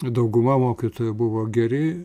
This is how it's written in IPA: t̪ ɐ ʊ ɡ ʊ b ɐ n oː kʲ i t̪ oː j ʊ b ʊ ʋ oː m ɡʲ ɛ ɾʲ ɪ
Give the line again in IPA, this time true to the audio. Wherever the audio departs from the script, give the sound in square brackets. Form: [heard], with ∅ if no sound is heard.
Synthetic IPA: [d̪] ɐ ʊ ɡ ʊ [m] ɐ [m] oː kʲ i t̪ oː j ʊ b ʊ ʋ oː [∅] ɡʲ ɛ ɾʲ ɪ